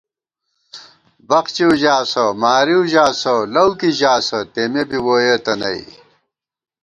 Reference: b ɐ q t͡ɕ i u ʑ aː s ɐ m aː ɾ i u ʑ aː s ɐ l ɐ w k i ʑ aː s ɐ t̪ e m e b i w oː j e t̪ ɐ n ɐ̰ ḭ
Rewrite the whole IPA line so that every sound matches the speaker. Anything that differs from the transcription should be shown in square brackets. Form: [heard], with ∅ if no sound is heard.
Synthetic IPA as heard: b ɐ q t͡ɕ i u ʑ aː s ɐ m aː ɾ i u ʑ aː s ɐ l ɐ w k i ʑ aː s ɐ t̪ e m e b i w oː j e t̪ ɐ n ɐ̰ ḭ